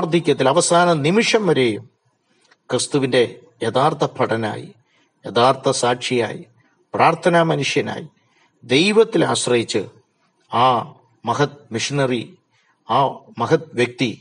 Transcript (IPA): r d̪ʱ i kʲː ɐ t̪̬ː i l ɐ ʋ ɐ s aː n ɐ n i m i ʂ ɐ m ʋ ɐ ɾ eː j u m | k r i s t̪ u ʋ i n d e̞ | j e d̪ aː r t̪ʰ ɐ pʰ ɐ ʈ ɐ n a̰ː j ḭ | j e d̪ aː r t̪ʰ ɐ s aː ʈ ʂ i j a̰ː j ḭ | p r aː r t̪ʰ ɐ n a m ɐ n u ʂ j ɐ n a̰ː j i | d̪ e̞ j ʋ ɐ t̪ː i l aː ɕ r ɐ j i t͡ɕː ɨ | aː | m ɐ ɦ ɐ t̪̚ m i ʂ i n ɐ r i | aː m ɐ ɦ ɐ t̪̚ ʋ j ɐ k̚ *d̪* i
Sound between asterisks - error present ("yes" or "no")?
yes